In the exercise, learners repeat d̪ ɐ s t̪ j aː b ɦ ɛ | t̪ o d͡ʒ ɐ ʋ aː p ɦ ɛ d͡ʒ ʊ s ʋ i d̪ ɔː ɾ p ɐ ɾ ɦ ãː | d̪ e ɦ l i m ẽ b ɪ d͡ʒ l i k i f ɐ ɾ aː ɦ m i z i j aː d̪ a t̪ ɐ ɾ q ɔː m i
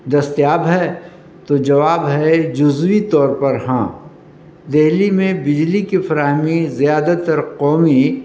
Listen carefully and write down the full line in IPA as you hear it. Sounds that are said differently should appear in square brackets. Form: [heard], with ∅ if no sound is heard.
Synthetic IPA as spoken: d̪ ɐ s t̪ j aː b ɦ ɛ | t̪ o d͡ʒ ɐ ʋ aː [b] ɦ ɛ d͡ʒ ʊ [z] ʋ i [t̪] ɔː ɾ p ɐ ɾ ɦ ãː | d̪ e ɦ l i m ẽ b ɪ d͡ʒ l i k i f ɐ ɾ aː ɦ m i z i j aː d̪ a t̪ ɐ ɾ q ɔː m i